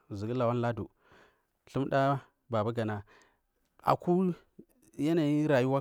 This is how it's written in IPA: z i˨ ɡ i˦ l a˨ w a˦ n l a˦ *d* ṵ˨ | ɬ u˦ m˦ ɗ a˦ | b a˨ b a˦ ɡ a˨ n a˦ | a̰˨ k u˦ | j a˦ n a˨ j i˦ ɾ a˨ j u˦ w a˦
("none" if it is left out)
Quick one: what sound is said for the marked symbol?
d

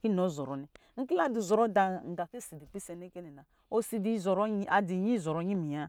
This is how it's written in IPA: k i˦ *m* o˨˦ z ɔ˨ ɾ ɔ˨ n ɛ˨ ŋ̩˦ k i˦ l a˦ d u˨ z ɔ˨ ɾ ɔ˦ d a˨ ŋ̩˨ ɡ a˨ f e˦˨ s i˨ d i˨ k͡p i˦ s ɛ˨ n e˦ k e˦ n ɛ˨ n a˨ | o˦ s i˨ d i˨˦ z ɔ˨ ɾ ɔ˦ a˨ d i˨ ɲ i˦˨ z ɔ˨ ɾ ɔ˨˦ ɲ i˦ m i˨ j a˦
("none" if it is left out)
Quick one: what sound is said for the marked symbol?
n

